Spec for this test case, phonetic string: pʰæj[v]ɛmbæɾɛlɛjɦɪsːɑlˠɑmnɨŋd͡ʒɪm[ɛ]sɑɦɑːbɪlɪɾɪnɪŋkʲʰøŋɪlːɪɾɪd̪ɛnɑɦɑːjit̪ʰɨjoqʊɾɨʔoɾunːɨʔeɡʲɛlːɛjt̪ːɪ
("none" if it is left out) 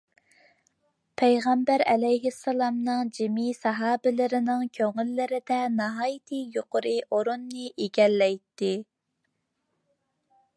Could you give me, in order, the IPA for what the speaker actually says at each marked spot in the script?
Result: ʁ, i

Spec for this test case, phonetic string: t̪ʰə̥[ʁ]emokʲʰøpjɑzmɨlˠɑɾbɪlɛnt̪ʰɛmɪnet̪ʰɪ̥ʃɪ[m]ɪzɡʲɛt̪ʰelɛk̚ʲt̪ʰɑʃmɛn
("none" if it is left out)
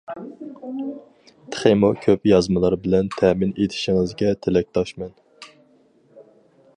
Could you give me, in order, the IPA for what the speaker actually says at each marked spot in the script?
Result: χ, ŋ

